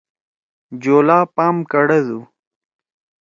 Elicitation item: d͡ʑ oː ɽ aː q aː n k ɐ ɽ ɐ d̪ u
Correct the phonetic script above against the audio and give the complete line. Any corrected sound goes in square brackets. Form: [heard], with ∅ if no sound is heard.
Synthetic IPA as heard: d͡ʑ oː [l] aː [p] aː [m] k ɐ ɽ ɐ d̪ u